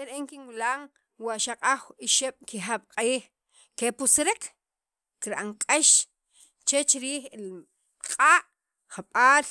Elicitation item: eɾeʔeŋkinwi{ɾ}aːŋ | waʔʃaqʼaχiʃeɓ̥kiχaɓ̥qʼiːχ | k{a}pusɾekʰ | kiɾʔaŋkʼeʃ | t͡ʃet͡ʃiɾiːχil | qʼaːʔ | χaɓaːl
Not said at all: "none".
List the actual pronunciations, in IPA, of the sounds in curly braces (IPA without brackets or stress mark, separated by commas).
l, e